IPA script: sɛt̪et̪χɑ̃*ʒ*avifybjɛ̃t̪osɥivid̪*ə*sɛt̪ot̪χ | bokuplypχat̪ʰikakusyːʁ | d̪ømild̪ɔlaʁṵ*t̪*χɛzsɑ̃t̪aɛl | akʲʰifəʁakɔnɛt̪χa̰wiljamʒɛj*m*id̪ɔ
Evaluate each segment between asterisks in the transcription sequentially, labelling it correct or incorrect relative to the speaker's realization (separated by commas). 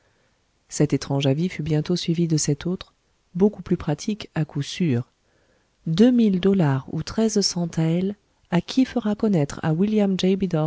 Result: correct, correct, correct, incorrect